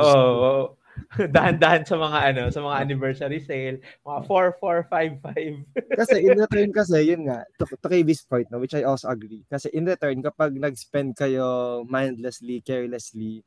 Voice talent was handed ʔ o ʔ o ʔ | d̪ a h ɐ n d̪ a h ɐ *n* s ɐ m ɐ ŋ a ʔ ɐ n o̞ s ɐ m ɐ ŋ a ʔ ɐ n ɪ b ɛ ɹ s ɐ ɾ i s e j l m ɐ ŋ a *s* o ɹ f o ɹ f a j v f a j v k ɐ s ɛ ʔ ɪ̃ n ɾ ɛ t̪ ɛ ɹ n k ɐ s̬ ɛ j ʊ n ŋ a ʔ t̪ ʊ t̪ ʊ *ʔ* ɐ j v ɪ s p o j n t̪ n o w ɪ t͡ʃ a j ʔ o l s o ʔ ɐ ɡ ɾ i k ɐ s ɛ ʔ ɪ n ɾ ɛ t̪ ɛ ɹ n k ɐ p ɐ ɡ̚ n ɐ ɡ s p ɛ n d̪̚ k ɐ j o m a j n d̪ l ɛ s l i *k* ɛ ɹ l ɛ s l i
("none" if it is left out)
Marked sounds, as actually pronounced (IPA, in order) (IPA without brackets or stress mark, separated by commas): n, f, k, k